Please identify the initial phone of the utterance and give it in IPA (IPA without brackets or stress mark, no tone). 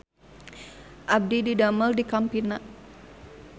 ʔ